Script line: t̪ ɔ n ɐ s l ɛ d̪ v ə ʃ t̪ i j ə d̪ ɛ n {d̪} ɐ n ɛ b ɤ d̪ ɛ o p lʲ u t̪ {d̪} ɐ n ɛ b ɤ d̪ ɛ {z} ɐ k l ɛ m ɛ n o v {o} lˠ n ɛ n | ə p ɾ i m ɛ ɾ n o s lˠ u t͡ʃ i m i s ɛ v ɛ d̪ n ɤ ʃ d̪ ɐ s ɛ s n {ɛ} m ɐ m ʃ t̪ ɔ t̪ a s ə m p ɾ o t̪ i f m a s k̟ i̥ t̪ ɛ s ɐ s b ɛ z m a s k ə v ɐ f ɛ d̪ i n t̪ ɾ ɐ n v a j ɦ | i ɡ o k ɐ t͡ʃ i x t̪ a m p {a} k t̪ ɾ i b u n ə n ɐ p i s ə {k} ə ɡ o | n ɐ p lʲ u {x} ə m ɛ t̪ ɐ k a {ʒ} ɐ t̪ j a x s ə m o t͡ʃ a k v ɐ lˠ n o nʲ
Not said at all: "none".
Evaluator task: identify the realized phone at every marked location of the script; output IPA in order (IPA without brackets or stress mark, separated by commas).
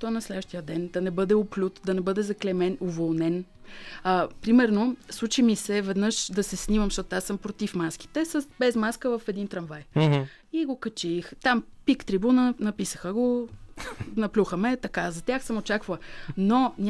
d̪, d̪, z, o, i, i, x, x, z